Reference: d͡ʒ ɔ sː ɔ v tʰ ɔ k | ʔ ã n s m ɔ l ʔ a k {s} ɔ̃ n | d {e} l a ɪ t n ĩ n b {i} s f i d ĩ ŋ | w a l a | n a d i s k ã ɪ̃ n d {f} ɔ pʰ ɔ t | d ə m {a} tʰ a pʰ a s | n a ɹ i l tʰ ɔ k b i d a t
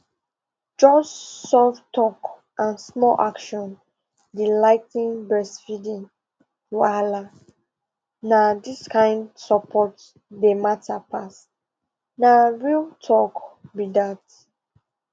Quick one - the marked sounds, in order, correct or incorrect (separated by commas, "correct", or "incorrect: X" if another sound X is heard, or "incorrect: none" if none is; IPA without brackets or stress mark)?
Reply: incorrect: ʃ, incorrect: i, incorrect: ɛ, incorrect: s, correct